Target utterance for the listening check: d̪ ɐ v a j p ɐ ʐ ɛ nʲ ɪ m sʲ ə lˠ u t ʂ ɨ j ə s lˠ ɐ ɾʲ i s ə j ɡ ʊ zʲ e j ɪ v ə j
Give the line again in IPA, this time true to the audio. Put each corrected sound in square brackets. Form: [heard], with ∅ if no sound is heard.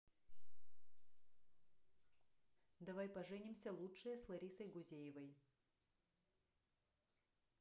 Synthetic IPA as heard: d̪ ɐ v a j p ɐ ʐ ɛ nʲ ɪ m sʲ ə lˠ u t ʂ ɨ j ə s lˠ ɐ ɾʲ i s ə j ɡ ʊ zʲ e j ɪ v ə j